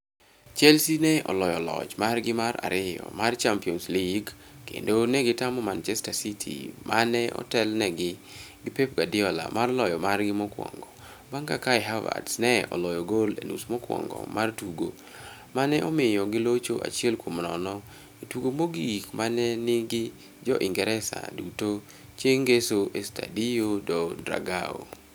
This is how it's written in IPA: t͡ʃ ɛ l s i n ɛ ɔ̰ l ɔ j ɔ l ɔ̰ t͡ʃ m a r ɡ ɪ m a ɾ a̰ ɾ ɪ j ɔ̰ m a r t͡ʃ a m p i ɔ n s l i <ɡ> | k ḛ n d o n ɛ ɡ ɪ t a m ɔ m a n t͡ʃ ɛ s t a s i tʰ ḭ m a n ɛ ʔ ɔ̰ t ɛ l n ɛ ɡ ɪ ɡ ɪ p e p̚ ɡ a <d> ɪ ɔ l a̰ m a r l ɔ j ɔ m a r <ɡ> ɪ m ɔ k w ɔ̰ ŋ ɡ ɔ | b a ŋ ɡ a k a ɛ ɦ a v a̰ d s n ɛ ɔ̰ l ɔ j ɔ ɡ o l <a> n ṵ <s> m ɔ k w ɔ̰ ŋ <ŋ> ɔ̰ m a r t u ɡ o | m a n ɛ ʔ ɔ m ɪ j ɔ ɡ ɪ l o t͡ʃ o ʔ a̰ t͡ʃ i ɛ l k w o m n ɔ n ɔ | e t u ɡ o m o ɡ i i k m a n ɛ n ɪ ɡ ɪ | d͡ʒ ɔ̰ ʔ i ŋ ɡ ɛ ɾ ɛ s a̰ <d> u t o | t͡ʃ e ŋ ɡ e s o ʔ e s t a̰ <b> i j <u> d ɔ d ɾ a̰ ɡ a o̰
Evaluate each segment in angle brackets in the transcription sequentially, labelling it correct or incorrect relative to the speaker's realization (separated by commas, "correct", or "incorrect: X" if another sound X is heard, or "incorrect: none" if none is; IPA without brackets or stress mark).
correct, correct, correct, incorrect: e, correct, incorrect: ɡ, correct, incorrect: d, incorrect: o